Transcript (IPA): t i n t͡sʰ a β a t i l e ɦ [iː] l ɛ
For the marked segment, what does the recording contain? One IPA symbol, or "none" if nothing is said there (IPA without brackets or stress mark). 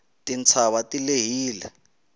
iː